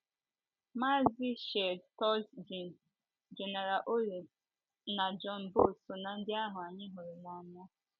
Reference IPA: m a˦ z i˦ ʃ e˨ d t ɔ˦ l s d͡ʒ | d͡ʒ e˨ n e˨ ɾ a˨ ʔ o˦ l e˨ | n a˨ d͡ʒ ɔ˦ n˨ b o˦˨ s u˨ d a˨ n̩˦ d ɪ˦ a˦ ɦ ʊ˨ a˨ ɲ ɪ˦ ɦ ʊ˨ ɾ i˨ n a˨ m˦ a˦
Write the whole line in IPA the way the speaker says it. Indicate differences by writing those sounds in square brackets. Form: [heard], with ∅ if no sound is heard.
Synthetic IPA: m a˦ z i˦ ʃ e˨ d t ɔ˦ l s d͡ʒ | d͡ʒ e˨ n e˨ ɾ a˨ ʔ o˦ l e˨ | n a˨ d͡ʒ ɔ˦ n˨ b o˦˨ s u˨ [n] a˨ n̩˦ d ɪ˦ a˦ ɦ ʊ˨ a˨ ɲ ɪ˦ ɦ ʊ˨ ɾ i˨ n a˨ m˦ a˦